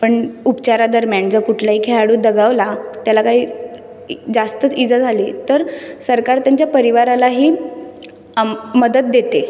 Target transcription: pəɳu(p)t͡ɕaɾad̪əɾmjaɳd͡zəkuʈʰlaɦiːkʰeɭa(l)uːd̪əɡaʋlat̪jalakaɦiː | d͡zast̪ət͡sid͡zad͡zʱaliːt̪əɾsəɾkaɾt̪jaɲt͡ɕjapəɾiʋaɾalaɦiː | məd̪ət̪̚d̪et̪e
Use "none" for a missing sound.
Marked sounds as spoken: p, ɽ

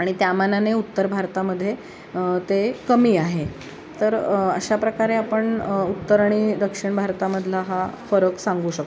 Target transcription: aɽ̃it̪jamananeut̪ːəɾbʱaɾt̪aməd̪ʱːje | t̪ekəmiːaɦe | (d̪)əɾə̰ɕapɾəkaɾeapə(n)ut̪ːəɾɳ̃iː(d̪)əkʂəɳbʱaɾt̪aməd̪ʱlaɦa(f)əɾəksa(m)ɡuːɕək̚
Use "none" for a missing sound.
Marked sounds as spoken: t̪, ɳ, d̪, f, ŋ

